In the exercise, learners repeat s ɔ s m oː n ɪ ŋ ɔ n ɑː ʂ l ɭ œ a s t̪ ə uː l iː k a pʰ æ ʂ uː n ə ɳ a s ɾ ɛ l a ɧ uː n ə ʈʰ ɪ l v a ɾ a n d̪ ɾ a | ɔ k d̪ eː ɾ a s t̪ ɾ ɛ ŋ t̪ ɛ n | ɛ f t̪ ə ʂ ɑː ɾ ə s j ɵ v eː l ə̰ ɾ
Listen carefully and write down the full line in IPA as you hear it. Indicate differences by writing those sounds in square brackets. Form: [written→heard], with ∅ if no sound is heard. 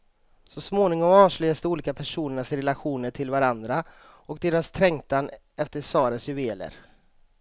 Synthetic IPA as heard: s ɔ s m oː n ɪ ŋ ɔ [n→m] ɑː ʂ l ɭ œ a s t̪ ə uː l iː k a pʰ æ ʂ uː n ə ɳ a s ɾ ɛ l a ɧ uː n ə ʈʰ ɪ l v a ɾ a n d̪ ɾ a | ɔ k d̪ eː ɾ a s [t̪→t̪ʰ] ɾ ɛ ŋ t̪ [ɛ→a] n | ɛ f t̪ ə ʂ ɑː ɾ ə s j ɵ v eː l ə̰ ɾ